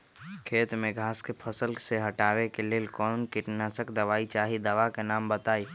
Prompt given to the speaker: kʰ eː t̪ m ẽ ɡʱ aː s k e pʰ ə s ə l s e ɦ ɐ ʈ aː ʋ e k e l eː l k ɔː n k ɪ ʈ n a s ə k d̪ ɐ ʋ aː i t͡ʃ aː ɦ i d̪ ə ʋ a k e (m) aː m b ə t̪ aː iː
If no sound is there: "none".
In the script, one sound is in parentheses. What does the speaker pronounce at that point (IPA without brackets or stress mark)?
n